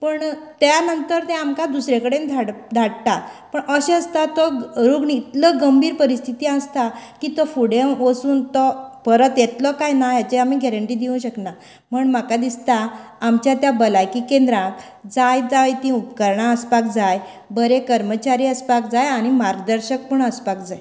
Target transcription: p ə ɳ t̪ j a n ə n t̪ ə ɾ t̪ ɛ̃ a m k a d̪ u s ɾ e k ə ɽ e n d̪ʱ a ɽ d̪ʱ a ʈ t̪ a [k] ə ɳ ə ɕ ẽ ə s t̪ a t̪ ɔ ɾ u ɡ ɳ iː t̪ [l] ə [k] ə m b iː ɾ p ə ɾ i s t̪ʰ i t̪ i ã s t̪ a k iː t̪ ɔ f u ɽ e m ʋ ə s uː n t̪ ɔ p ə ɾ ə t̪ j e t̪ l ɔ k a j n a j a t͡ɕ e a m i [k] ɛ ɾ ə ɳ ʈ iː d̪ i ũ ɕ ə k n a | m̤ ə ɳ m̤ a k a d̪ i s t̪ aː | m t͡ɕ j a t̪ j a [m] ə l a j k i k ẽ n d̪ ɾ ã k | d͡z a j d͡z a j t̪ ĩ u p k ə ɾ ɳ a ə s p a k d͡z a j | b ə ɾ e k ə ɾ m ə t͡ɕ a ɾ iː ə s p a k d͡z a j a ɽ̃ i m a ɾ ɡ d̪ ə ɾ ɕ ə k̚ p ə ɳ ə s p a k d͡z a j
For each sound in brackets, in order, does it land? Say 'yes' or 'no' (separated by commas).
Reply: no, yes, no, no, no